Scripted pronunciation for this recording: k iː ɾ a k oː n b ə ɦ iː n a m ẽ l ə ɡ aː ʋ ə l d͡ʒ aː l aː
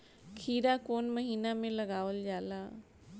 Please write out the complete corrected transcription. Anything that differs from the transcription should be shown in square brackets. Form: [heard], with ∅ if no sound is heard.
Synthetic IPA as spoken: [kʰ] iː ɾ a k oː n [m] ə ɦ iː n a m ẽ l ə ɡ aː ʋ ə l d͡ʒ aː l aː